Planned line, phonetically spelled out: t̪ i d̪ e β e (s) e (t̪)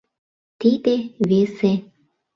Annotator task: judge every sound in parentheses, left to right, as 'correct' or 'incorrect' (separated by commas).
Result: correct, incorrect